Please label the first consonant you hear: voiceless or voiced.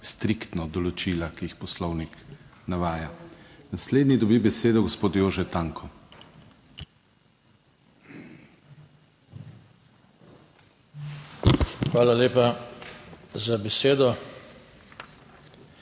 voiceless